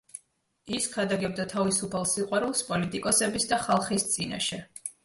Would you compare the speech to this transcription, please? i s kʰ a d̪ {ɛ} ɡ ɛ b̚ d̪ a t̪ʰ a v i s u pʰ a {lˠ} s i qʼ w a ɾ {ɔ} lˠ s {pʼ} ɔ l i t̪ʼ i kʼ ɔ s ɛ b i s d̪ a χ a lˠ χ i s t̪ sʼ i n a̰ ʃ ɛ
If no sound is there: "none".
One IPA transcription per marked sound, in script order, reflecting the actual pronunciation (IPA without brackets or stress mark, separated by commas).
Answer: a, lˠ, u, pʼ